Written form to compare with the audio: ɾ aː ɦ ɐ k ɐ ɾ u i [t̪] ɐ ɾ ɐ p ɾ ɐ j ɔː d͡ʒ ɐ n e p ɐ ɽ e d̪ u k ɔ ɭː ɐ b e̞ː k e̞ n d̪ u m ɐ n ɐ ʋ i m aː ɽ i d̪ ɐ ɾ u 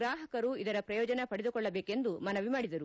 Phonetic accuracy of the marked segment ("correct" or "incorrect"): incorrect